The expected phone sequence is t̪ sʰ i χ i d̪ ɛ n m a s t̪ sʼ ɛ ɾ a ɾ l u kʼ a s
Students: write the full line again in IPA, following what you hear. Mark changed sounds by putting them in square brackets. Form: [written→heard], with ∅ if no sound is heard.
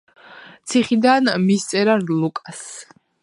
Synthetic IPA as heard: t̪ sʰ i χ i d̪ [ɛ→a] n m [a→i] s t̪ sʼ ɛ ɾ a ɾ l u kʼ a s